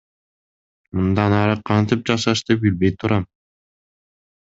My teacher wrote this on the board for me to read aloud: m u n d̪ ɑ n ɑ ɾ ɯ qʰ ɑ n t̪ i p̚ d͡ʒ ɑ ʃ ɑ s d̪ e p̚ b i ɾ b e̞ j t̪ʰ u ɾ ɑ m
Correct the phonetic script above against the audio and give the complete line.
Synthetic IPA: m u n d̪ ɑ n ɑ ɾ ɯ qʰ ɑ n t̪ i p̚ d͡ʒ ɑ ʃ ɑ ʃ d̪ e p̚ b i l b e̞ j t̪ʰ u ɾ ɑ m